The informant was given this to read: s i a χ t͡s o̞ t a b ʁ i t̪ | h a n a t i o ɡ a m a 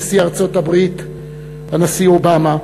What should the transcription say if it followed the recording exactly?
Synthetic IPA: s i a ʁ t͡s o̞ t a b ʁ i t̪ | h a n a s i o b a m a